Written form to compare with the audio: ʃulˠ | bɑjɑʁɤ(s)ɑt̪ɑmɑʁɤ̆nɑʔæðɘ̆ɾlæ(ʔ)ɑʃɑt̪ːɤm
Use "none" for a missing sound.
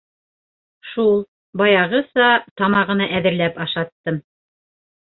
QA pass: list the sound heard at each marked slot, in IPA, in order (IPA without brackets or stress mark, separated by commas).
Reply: s, p